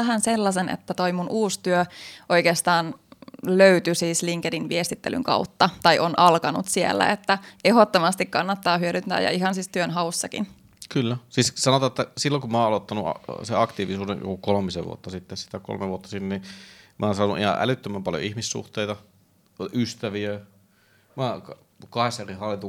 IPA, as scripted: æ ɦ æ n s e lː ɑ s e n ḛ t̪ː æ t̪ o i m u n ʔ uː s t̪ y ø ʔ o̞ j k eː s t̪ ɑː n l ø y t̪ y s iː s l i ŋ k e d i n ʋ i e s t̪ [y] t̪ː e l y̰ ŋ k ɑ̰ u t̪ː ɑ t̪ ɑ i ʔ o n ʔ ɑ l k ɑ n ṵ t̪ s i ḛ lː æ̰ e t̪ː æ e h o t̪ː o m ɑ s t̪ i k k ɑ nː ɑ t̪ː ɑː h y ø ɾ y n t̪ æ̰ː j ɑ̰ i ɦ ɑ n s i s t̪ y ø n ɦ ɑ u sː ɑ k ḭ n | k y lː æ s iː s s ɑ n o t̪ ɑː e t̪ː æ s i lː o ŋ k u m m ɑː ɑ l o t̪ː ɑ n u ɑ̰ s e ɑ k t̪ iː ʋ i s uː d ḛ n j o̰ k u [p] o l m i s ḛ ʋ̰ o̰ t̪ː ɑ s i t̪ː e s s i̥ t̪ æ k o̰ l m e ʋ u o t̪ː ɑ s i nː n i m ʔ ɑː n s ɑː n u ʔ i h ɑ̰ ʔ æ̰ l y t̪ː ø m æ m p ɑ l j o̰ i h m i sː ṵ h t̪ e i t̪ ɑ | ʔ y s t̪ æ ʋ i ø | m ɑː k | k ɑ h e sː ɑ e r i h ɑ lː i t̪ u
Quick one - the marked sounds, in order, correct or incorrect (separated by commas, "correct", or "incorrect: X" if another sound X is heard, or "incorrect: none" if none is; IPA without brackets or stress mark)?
incorrect: i, incorrect: k